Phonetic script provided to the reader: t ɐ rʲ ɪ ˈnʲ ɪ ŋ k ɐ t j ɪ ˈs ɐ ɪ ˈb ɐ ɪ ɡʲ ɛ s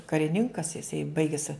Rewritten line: k ɐ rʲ ɪ ˈnʲ ɪ ŋ k ɐ s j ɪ ˈs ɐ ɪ ˈb ɐ ɪ ɡʲ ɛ s